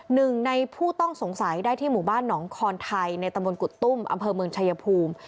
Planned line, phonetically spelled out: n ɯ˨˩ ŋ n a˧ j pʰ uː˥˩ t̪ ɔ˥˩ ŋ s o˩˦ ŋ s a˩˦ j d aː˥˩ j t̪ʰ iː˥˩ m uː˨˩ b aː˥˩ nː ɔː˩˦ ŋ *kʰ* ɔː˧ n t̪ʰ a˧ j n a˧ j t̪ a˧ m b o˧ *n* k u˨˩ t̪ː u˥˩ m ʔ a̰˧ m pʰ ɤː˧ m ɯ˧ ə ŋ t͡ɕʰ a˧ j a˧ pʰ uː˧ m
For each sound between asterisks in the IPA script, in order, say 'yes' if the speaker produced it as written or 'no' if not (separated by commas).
yes, yes